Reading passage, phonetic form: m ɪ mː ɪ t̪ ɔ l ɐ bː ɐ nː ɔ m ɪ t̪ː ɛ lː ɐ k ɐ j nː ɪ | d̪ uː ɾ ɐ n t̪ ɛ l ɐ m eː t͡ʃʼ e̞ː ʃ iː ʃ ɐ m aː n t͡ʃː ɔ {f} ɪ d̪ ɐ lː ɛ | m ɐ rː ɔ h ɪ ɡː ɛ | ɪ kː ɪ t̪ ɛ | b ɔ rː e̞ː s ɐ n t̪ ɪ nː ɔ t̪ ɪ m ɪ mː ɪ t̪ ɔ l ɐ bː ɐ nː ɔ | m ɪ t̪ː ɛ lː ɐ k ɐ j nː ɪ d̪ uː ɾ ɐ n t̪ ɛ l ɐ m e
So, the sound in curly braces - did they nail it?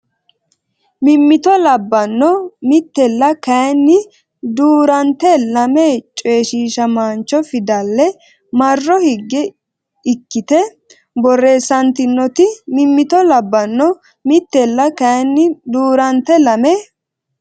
yes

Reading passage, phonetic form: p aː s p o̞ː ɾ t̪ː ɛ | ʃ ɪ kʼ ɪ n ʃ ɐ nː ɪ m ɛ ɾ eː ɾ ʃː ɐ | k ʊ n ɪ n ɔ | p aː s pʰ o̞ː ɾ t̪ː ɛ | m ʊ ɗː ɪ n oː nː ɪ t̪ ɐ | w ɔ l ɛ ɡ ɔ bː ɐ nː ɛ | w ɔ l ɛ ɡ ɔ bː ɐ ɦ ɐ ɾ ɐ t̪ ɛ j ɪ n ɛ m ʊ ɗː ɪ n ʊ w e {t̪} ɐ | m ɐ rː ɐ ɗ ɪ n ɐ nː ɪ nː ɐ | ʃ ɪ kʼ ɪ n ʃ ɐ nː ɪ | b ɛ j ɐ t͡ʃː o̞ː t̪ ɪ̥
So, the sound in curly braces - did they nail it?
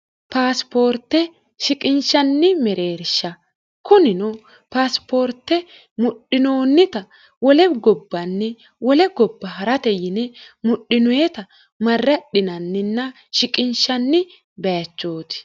yes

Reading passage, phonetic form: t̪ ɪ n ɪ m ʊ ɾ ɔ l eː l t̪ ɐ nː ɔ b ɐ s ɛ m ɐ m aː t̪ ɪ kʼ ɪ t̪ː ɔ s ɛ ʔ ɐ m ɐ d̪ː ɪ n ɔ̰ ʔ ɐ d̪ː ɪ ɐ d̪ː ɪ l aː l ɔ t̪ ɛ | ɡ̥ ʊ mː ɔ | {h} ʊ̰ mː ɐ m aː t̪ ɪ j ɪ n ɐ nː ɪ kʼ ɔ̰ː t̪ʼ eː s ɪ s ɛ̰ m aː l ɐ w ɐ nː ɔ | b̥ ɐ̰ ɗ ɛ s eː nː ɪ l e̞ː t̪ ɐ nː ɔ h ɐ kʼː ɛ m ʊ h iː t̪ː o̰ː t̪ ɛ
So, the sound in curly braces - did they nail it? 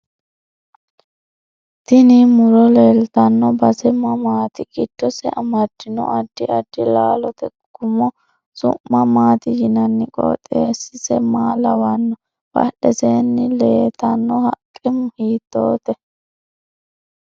no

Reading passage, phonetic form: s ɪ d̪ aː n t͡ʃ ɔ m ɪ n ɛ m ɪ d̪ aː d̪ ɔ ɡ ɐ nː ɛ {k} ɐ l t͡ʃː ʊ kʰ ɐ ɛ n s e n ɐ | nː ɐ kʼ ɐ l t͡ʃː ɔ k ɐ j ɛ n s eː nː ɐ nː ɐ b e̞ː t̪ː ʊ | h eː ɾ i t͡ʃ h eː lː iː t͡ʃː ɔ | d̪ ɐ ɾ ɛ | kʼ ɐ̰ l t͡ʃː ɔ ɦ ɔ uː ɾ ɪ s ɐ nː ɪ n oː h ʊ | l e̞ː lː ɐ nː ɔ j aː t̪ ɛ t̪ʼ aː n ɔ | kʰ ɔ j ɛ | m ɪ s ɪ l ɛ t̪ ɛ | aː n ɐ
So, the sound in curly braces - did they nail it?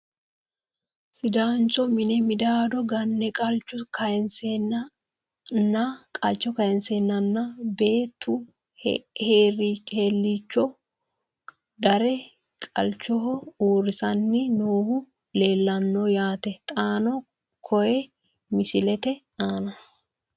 no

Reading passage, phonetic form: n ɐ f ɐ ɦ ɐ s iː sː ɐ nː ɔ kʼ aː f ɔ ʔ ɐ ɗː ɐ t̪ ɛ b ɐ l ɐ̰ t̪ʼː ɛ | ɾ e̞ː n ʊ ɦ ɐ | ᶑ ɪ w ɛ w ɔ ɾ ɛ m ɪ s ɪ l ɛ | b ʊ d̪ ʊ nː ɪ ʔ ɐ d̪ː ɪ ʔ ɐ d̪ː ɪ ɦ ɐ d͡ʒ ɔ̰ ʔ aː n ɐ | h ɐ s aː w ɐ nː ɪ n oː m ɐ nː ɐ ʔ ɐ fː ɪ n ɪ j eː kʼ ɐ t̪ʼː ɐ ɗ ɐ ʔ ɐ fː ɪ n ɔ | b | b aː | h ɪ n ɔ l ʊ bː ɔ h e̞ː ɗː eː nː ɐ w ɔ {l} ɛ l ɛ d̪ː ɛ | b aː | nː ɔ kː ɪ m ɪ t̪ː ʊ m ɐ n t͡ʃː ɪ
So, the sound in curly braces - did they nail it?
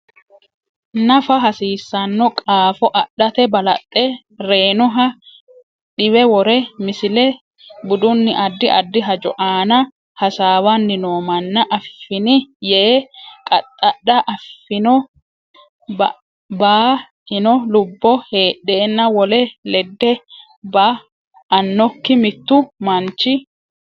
yes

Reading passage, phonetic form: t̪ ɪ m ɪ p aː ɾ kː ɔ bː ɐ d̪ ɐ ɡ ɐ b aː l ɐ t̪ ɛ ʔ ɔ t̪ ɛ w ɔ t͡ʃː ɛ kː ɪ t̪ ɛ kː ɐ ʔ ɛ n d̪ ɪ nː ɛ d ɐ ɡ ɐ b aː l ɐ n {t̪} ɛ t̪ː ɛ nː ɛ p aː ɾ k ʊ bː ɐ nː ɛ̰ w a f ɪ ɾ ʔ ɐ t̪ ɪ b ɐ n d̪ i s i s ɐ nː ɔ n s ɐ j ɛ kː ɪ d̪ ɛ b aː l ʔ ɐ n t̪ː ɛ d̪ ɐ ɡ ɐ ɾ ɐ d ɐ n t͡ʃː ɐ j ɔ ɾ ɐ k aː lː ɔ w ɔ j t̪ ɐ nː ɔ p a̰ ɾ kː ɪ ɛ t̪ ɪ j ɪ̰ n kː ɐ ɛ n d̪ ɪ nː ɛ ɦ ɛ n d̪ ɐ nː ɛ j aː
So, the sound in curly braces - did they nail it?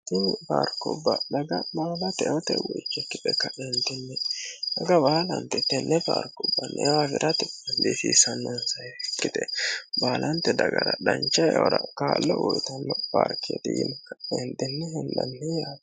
yes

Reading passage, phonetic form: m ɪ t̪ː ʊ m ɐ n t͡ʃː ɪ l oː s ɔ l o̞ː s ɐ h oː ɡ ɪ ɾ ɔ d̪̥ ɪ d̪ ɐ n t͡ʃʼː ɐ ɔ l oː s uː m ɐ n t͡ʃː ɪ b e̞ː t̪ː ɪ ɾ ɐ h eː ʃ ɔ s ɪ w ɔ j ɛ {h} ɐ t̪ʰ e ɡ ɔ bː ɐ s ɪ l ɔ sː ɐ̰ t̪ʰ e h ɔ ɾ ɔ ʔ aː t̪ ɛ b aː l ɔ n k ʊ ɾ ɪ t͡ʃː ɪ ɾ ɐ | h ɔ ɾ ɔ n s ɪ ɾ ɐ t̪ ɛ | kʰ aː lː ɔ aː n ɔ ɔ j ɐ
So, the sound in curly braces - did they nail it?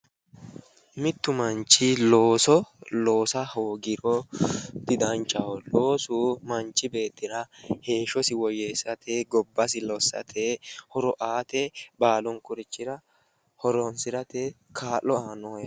no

